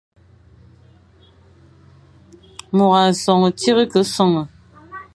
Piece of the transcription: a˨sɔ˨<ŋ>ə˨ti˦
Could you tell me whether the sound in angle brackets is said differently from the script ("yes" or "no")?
no